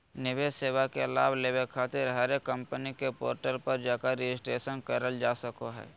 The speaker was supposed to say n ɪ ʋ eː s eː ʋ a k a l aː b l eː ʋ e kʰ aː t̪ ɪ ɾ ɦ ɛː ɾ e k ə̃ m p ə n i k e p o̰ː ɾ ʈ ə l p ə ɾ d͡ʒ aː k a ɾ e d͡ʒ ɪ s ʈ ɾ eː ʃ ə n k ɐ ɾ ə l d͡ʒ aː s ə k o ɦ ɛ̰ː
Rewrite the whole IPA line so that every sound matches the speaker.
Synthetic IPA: n ɪ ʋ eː s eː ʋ a k e l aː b l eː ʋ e kʰ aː t̪ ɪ ɾ ɦ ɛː ɾ e k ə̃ m p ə n i k e p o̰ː ɾ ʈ ə l p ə ɾ d͡ʒ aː k a ɾ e d͡ʒ ɪ s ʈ ɾ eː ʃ ə n k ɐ ɾ ə l d͡ʒ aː s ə k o ɦ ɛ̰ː